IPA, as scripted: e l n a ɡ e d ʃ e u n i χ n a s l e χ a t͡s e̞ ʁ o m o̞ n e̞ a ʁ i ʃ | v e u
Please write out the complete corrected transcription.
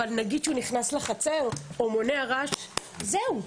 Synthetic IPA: a l n a ɡ i d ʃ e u n i χ n a s l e χ a t͡s e̞ ʁ o m o̞ n e̞ a ʁ a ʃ | z e u